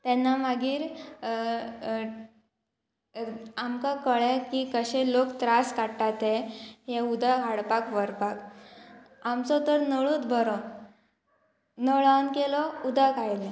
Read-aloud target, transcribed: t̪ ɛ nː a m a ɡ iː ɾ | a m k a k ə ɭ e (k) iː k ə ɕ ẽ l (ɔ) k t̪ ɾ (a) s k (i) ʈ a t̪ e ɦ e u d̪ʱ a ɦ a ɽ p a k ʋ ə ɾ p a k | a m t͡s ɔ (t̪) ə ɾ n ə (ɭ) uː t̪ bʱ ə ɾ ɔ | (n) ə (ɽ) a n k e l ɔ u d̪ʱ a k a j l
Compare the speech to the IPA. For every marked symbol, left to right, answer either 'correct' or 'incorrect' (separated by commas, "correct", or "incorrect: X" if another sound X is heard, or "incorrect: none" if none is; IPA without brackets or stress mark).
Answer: correct, incorrect: o, correct, incorrect: a, correct, correct, correct, incorrect: ɭ